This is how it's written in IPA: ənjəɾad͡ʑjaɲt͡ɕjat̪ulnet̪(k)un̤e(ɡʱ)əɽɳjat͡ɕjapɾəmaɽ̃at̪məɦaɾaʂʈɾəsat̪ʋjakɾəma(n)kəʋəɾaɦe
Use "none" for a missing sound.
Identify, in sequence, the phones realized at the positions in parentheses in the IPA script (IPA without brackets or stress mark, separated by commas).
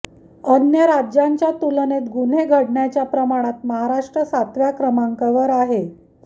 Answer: ɡ, ɡʱ, ŋ